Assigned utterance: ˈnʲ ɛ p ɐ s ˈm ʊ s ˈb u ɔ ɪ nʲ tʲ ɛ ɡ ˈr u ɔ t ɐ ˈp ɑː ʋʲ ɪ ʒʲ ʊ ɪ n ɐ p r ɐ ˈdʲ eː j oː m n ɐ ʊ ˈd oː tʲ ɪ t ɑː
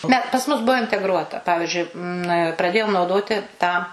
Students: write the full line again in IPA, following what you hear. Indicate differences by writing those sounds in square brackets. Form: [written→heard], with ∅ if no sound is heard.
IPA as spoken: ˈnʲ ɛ p ɐ s ˈm ʊ s ˈb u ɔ ɪ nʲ tʲ ɛ ɡ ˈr u ɔ t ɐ ˈp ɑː ʋʲ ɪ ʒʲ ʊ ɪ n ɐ p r ɐ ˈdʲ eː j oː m n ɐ ʊ ˈd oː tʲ ɪ t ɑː